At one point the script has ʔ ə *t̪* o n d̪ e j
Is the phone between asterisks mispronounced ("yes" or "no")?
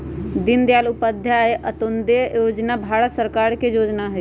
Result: no